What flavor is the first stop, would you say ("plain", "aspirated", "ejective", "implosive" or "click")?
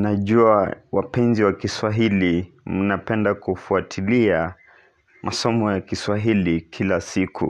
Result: implosive